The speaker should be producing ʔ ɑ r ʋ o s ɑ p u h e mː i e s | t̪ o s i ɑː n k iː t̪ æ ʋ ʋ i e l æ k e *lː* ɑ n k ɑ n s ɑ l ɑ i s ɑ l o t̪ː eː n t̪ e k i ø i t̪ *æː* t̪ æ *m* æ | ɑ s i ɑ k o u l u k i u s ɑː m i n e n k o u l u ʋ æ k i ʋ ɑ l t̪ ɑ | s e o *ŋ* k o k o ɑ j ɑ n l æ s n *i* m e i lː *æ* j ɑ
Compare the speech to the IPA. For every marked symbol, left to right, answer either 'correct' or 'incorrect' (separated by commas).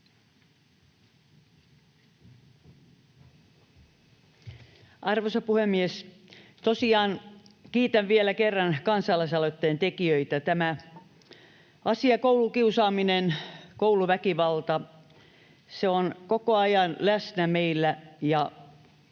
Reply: incorrect, incorrect, correct, incorrect, incorrect, correct